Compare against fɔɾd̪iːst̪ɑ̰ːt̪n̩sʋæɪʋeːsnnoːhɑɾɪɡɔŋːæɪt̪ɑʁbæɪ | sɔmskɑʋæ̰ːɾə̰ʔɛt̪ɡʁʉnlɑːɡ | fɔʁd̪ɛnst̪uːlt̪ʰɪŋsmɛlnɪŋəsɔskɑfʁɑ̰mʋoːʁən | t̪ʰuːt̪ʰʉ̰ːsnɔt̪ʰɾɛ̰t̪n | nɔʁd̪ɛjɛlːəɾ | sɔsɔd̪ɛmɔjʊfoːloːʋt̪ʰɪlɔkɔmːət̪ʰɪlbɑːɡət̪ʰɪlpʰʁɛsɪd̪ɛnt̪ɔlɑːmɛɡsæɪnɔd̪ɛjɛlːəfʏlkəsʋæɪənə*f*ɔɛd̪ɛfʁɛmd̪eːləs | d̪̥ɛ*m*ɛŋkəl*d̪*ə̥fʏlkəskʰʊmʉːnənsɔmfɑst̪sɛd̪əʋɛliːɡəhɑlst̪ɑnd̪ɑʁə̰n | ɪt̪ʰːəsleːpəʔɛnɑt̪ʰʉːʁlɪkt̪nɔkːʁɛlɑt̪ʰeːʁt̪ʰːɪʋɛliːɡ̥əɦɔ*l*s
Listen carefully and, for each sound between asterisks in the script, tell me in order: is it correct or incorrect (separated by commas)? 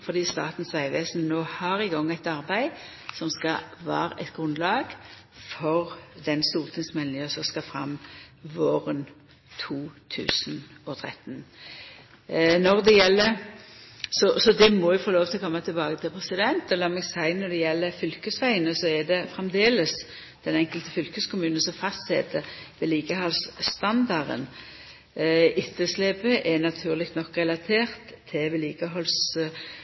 incorrect, incorrect, incorrect, correct